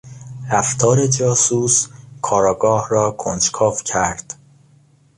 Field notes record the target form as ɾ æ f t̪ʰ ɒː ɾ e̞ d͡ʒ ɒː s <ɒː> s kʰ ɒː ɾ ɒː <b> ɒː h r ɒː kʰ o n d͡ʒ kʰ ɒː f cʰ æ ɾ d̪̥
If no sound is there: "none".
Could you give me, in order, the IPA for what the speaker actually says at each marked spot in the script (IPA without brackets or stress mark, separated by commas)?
uː, ɡ